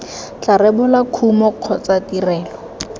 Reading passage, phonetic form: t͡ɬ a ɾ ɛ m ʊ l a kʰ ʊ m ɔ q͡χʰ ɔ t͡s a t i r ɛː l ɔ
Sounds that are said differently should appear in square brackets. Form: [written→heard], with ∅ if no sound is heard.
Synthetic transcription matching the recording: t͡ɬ a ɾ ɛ [m→b] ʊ l a kʰ [ʊ→u] m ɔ q͡χʰ ɔ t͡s a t i r ɛː l ɔ